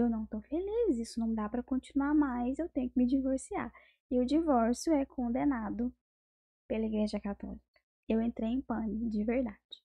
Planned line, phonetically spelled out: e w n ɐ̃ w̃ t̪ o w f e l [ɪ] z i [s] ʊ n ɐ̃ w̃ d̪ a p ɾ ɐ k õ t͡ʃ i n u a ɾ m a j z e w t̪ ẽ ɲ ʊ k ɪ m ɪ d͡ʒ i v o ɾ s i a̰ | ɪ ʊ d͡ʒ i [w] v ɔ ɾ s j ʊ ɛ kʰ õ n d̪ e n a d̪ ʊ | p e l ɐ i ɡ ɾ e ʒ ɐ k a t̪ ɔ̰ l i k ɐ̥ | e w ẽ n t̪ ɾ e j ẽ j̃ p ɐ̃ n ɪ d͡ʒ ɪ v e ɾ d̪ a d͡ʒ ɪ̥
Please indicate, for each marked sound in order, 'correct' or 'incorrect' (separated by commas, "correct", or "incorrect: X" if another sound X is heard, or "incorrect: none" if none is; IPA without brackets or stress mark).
incorrect: i, correct, incorrect: none